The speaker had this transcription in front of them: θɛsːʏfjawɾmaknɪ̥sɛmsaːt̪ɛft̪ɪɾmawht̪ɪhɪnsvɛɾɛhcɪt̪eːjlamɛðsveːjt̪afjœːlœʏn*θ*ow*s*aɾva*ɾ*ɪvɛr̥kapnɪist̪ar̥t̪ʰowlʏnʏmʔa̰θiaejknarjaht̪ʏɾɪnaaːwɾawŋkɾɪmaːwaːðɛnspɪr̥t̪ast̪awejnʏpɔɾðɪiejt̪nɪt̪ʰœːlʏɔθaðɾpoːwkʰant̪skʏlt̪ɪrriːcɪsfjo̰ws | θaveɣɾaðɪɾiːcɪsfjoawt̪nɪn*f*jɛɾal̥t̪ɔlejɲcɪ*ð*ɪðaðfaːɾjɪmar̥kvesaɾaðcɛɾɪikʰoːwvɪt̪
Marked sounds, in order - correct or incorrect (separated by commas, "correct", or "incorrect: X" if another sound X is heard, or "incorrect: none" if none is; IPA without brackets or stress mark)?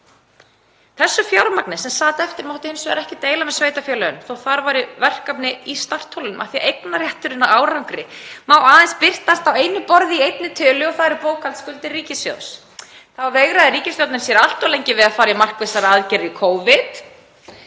correct, incorrect: θ, correct, incorrect: s, incorrect: v